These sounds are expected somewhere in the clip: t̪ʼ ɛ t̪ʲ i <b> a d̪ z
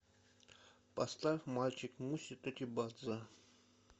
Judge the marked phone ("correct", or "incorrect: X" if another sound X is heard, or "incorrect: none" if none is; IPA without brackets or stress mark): correct